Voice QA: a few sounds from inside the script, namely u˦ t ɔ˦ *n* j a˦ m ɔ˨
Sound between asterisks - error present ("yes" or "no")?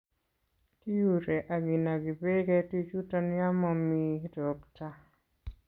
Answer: no